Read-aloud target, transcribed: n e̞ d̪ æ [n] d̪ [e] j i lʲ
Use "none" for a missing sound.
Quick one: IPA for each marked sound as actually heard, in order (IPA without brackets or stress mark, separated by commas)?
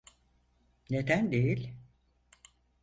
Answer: n, e